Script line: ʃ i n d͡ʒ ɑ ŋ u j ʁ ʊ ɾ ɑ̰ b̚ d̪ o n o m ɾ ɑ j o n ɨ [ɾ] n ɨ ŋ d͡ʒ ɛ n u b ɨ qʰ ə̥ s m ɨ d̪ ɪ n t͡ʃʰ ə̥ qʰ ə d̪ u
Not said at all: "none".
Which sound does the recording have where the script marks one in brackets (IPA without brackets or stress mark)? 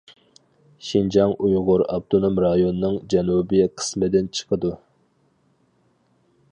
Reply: none